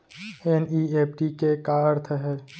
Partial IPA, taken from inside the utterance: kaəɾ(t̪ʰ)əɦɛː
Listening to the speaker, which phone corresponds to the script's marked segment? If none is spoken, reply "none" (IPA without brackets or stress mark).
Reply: t̪ʰ